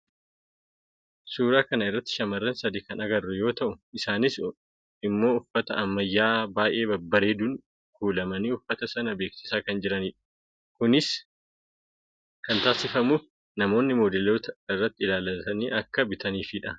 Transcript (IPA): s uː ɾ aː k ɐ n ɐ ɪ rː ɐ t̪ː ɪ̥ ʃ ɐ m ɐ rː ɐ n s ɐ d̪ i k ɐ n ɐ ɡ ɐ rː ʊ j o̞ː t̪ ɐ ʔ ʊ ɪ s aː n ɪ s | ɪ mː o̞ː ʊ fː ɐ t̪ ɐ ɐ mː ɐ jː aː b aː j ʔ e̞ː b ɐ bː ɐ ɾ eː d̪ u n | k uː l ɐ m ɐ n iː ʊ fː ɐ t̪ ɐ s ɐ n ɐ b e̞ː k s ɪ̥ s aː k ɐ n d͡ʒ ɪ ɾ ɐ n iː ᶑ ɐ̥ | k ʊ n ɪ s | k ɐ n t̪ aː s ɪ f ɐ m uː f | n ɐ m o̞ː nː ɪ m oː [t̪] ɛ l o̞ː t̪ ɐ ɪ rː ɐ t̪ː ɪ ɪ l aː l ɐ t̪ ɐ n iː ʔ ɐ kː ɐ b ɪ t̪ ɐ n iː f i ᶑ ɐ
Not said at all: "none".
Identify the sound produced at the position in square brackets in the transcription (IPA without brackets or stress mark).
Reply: d̪